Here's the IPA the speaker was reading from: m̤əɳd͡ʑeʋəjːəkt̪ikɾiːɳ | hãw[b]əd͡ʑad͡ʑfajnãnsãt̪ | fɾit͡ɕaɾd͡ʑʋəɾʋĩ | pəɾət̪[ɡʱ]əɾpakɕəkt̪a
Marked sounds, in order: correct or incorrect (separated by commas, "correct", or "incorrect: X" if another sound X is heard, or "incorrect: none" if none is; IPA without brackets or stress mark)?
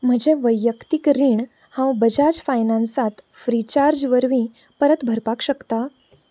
correct, incorrect: bʱ